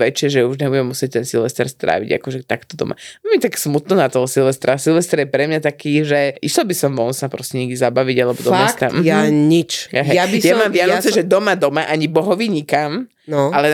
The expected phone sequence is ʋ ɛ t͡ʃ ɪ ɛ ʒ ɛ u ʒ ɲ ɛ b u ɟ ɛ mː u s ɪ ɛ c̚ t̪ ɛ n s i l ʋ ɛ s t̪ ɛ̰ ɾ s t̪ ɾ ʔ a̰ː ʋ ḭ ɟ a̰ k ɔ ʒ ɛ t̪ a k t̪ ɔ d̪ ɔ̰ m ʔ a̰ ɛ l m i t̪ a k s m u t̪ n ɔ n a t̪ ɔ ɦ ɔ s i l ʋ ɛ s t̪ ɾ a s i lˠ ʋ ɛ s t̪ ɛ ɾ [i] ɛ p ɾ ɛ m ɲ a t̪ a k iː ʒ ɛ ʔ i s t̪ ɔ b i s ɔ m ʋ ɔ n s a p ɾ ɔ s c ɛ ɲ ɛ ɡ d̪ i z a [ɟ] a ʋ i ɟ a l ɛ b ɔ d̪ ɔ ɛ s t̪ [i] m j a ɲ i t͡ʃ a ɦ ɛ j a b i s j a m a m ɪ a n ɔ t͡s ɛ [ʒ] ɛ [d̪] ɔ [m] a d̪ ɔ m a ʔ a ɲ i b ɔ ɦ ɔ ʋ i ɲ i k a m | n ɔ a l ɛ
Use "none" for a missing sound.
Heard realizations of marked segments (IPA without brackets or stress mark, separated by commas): j, b, a, ʒ, d̪, m